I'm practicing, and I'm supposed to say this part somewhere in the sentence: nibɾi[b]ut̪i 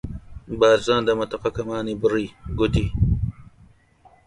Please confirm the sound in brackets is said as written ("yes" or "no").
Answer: no